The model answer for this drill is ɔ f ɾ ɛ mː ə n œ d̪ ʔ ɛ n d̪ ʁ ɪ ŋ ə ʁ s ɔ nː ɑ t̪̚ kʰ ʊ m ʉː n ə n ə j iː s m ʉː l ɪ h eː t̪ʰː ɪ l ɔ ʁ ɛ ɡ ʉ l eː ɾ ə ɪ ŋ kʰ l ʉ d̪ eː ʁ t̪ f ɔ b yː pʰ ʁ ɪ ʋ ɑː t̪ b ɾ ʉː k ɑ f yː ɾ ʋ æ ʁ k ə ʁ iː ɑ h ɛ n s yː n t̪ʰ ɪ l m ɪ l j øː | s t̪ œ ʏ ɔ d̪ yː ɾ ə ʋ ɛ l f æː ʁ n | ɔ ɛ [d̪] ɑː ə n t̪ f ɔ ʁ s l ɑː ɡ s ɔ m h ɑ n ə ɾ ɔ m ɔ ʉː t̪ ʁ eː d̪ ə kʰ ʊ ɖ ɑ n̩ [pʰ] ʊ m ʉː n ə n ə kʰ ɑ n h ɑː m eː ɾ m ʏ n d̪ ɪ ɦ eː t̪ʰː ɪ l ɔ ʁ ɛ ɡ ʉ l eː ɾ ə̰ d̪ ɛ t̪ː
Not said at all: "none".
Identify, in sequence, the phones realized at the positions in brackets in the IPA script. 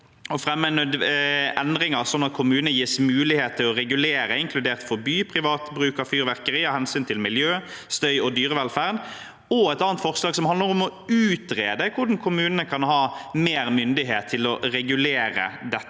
t̪, kʰ

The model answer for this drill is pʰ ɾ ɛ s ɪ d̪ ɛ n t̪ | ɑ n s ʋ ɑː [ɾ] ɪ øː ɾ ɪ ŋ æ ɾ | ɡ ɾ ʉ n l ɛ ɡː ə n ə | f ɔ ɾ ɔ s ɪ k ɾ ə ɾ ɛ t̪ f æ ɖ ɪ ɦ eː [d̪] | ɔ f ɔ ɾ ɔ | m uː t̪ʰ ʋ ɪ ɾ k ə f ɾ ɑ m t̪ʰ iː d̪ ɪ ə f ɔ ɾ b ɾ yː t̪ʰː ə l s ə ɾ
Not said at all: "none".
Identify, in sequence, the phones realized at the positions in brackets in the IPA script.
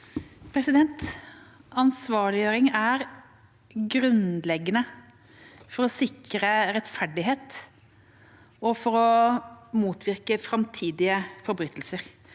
ɭ, t̪

